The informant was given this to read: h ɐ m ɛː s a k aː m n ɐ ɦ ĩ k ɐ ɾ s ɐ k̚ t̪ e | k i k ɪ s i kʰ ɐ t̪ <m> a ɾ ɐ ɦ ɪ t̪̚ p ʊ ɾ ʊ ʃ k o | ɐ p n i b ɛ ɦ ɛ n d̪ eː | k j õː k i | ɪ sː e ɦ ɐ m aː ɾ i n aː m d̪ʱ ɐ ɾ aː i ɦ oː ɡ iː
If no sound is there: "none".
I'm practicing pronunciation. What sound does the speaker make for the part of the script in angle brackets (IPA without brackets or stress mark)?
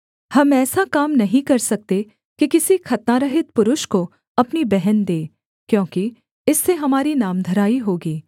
n